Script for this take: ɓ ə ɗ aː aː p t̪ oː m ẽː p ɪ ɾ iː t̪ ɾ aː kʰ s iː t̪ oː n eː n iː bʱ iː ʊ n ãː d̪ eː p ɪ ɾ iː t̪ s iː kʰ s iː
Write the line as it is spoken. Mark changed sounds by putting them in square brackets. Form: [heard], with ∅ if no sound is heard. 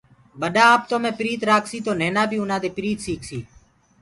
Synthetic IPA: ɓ ə ɗ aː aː p t̪ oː m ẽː p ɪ ɾ iː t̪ ɾ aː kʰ s iː t̪ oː n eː n [aː] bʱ iː ʊ n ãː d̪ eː p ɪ ɾ iː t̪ s iː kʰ s iː